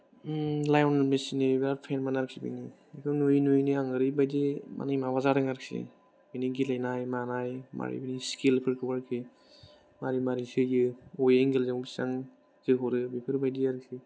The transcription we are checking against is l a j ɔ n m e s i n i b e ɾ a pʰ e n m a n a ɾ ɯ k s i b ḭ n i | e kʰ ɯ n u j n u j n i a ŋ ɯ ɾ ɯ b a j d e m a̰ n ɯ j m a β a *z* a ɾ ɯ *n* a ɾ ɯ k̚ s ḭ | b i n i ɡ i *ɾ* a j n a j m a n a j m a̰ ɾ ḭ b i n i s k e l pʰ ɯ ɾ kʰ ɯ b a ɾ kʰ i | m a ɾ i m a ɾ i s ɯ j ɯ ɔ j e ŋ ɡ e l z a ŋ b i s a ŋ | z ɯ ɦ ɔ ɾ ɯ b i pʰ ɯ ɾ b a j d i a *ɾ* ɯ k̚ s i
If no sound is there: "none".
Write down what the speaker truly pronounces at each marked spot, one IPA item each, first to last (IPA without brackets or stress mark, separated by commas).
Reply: z, ŋ, l, ɾ